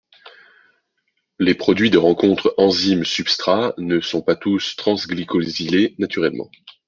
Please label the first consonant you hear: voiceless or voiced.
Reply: voiced